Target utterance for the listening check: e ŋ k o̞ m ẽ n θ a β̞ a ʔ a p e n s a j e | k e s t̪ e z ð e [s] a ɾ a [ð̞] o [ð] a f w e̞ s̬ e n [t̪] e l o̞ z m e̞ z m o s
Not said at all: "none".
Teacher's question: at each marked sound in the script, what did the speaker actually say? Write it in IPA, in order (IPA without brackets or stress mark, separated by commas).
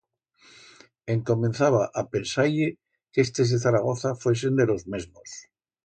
θ, ɣ̞, θ, d̪